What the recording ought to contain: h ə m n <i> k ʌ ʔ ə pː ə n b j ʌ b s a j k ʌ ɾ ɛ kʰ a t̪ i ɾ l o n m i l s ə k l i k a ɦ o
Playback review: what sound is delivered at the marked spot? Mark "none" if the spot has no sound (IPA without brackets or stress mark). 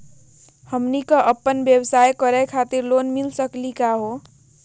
i